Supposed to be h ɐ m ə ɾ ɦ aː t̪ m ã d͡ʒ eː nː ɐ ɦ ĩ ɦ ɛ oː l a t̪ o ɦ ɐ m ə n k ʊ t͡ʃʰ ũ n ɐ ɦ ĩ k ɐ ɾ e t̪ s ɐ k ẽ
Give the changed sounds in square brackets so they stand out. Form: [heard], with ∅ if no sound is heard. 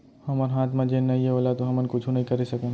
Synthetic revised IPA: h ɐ m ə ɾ ɦ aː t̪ m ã d͡ʒ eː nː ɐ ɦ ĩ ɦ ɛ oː l a t̪ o ɦ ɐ m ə n k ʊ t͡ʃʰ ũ n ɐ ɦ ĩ k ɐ ɾ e [∅] s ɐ k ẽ